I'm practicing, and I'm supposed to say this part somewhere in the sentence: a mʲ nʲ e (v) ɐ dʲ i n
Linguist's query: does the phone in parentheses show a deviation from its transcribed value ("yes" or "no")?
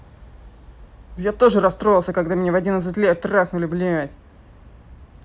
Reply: no